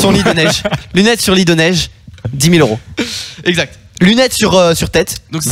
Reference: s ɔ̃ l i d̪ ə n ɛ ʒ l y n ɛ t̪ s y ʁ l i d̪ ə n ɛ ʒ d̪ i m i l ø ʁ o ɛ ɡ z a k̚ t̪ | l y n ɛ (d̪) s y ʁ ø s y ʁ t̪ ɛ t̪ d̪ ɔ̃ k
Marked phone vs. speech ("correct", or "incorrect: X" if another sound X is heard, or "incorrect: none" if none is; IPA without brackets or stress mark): incorrect: t̪